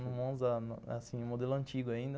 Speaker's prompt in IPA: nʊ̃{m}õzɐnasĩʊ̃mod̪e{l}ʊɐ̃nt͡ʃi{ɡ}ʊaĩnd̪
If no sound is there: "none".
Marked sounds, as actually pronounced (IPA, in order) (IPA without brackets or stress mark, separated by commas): m, l, ɡ